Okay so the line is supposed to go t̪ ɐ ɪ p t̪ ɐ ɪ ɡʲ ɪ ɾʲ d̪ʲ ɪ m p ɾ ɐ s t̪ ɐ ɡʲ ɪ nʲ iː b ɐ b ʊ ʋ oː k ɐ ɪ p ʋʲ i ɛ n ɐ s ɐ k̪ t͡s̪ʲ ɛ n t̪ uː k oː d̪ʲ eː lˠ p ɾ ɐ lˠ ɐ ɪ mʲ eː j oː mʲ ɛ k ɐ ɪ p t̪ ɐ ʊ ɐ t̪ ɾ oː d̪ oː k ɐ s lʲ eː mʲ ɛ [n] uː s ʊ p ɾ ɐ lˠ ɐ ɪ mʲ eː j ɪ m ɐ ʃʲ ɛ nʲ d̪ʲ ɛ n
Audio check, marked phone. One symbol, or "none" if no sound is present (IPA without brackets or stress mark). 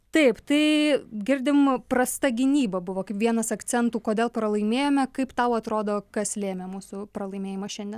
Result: m